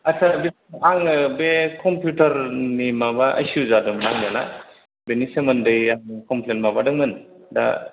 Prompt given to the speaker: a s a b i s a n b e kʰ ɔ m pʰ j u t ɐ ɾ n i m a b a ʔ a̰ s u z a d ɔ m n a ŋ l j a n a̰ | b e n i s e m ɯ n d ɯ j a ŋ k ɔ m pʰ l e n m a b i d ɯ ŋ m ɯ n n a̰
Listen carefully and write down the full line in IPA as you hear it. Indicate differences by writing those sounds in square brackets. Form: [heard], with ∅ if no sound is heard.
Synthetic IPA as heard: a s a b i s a [ŋ] b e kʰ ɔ m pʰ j u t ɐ ɾ n i m a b a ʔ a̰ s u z a d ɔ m n a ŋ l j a n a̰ | b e n i s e m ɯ n d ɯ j a ŋ k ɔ m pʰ l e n m a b [a] d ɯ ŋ m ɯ n [d] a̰